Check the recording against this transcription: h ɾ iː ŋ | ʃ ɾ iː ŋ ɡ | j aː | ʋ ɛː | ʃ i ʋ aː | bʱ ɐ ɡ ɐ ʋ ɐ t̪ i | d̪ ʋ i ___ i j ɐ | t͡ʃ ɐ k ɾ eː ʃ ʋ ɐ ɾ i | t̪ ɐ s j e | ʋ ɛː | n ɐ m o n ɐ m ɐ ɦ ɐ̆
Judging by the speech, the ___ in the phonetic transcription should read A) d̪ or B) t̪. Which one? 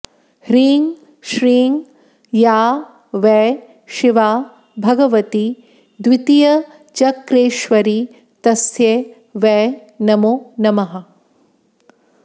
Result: B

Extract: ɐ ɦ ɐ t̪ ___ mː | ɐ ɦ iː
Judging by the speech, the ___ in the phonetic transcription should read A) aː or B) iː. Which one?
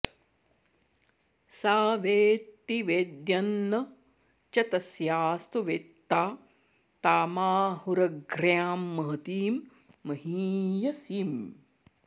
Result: B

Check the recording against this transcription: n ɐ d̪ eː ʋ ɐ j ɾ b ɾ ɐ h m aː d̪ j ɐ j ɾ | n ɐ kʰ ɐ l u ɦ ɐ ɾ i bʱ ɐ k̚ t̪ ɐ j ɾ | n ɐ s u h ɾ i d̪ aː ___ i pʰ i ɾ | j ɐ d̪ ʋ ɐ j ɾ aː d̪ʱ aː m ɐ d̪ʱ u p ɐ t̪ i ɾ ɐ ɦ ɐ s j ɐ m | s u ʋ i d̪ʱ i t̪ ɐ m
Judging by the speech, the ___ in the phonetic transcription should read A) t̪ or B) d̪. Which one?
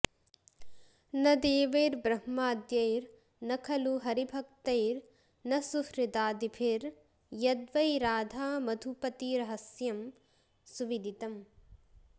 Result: B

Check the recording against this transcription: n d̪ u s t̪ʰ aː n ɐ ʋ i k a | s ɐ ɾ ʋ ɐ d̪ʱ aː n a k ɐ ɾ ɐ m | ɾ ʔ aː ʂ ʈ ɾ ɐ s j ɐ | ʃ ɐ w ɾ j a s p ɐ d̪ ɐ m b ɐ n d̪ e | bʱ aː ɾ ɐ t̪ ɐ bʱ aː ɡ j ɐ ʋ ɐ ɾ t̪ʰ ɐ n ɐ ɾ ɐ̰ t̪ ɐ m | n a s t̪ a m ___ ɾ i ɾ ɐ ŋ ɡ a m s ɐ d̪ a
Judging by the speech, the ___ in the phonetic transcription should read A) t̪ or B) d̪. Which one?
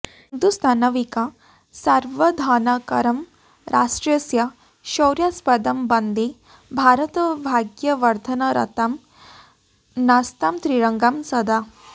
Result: A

